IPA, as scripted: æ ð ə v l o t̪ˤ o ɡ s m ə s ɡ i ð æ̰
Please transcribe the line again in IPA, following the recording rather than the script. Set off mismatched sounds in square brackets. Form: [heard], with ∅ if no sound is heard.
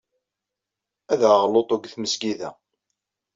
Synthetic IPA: æ ð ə [ʁ] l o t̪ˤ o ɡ [θ] m ə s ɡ i ð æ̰

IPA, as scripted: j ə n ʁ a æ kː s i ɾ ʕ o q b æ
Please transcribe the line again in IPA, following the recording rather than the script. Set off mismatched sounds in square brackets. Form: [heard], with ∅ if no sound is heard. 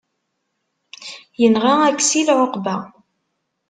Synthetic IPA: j ə n ʁ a æ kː s i [l] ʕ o q b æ

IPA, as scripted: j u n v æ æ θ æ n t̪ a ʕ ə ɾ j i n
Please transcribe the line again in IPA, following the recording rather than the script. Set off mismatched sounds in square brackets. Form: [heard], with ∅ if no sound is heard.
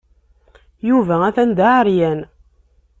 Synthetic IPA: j u [∅] v æ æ θ æ n [d̪] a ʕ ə ɾ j [æ] n

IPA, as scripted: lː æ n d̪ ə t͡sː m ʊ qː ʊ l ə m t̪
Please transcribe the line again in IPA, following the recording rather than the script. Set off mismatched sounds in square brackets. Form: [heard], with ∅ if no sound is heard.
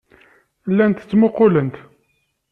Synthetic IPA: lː æ n [t̪] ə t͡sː m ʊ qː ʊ l ə [n] t̪

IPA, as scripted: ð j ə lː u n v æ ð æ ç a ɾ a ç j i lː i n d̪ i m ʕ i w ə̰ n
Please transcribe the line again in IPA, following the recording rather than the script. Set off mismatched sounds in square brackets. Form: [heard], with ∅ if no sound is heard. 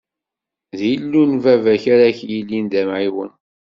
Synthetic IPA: ð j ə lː u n v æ [v] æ ç a ɾ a ç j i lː i n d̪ [æ] m ʕ i w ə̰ n

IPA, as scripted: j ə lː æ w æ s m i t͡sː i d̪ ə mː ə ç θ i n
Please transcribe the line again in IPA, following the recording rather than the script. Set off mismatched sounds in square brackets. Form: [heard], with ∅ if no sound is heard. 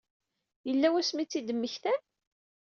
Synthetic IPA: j ə lː æ w æ s m i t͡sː i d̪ ə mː ə ç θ [æ] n

